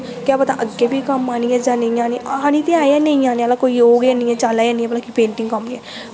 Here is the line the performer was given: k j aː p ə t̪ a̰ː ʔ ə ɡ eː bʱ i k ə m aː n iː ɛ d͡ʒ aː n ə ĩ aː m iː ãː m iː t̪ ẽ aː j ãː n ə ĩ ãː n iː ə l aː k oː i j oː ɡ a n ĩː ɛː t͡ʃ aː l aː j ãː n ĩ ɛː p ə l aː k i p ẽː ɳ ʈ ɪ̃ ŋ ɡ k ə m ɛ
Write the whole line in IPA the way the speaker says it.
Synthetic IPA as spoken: k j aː p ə t̪ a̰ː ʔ ə ɡ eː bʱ i k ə m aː n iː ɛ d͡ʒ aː n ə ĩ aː n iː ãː n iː t̪ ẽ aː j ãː n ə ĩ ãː n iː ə l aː k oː i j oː ɡ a n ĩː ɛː t͡ʃ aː l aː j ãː n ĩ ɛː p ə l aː k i p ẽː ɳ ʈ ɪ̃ ŋ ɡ k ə m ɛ